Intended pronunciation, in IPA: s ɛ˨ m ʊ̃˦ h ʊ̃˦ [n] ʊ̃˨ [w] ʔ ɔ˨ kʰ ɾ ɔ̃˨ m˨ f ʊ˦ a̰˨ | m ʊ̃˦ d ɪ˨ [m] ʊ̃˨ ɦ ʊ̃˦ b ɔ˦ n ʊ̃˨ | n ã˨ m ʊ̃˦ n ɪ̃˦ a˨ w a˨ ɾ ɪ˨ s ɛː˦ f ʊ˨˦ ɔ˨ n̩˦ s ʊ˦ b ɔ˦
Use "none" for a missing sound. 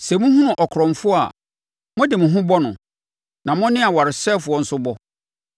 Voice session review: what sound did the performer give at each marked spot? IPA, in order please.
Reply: n, none, m

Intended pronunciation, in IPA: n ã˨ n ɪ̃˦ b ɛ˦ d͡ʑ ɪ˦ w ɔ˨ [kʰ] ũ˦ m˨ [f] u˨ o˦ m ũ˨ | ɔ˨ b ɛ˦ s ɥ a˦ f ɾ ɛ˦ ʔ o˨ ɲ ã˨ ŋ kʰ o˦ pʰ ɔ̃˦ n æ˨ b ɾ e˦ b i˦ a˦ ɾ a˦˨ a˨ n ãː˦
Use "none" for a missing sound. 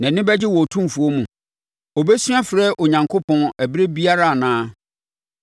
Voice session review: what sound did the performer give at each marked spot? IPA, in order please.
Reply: tʰ, f

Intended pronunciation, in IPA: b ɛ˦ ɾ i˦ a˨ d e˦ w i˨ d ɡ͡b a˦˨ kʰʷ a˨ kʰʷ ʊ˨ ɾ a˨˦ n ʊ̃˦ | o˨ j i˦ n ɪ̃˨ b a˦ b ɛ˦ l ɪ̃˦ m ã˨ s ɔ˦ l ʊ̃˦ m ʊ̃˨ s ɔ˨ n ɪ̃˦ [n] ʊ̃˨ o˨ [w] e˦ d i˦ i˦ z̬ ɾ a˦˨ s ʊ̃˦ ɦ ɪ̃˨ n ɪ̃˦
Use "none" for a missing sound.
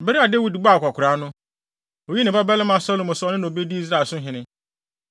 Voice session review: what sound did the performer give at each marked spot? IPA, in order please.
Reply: n, b

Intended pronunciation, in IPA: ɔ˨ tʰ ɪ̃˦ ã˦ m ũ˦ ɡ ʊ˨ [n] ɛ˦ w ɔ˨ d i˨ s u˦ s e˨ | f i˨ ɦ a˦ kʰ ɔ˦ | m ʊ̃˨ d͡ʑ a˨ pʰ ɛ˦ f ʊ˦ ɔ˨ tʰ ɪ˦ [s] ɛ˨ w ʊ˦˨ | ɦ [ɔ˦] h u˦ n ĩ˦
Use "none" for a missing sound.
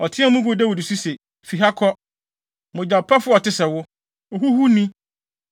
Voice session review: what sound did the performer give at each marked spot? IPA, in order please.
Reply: d, s, u˦

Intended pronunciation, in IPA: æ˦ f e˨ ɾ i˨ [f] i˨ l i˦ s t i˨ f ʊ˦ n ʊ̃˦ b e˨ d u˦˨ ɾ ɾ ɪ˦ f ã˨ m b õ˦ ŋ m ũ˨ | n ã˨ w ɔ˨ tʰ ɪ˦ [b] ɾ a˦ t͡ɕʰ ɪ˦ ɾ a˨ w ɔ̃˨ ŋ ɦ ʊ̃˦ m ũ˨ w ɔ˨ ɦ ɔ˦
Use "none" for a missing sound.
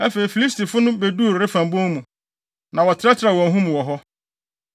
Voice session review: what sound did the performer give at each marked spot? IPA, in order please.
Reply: f, none

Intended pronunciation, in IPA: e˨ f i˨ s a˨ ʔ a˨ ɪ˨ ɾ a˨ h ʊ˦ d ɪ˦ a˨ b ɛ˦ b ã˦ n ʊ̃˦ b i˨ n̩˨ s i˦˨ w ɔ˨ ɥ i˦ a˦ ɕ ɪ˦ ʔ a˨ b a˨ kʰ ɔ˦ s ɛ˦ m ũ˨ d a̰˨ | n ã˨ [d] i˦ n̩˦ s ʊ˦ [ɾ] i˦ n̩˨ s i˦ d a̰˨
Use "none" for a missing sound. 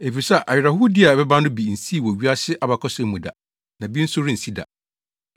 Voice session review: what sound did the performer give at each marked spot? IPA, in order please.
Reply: b, ɾ

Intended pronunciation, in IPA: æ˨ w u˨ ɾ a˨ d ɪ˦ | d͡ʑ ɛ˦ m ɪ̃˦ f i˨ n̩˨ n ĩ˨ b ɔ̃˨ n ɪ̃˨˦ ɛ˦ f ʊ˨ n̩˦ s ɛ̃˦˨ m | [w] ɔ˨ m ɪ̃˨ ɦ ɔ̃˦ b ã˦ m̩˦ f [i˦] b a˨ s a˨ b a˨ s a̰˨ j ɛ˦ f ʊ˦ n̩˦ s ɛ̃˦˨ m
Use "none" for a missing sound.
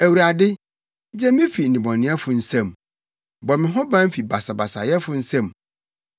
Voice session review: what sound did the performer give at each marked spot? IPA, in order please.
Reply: b, i˨

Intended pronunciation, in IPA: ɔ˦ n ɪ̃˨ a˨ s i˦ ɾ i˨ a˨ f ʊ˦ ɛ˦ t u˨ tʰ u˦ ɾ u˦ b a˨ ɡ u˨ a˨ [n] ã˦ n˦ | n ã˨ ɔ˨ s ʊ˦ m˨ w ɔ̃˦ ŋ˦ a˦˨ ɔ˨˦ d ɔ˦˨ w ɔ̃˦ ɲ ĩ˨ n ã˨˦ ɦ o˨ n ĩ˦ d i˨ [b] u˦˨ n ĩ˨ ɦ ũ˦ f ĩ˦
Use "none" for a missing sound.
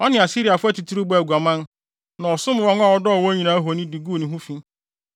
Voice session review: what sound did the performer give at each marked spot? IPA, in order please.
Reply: m, ɡ

